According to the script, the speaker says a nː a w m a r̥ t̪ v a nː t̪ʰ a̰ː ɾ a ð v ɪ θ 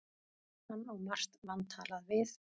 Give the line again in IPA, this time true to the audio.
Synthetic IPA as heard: a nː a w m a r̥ t̪ v a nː t̪ʰ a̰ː l a ð v ɪ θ